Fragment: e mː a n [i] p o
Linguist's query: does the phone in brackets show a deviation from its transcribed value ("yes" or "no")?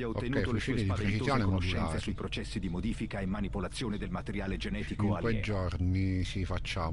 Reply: no